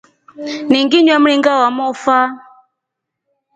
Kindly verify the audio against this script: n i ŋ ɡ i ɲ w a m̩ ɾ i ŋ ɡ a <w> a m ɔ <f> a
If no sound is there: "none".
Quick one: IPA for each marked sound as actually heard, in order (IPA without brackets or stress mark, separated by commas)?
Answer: w, f